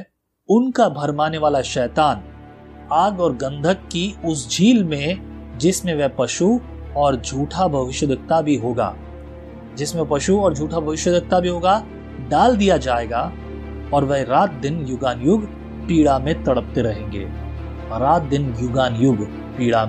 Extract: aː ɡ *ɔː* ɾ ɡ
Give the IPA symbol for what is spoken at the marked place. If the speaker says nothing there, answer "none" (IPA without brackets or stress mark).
ɔː